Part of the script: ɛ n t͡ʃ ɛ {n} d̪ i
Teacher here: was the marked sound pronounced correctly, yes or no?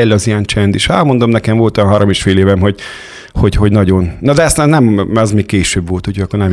yes